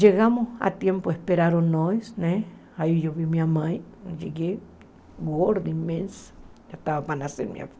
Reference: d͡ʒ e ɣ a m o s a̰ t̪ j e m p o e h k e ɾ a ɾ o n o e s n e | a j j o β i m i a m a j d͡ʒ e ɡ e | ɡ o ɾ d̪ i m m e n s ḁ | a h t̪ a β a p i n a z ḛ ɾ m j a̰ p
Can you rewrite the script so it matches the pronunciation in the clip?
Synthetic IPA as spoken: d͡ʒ e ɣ a m o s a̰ t̪ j e m p o e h p e ɾ a ɾ o n o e s n e | a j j o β i m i a m a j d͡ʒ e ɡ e | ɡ o ɾ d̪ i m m e n s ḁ | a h t̪ a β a p a n a s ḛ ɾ m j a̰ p